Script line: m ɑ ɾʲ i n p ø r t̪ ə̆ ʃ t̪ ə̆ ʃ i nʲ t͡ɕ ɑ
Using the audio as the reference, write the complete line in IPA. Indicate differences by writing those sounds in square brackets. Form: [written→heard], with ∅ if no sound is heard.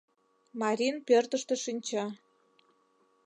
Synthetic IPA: m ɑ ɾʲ i n p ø r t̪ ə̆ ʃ t̪ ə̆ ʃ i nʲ t͡ɕ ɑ